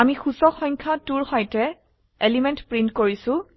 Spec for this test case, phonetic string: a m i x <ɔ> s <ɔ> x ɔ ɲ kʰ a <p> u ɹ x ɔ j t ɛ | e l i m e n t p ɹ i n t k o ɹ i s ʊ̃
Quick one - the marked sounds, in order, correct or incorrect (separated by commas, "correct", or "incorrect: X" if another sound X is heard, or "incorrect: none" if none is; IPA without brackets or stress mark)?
incorrect: u, correct, incorrect: t